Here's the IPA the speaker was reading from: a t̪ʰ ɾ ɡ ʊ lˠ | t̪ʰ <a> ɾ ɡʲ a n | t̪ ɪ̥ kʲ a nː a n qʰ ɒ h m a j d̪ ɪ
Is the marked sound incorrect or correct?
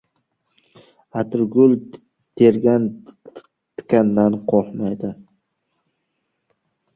incorrect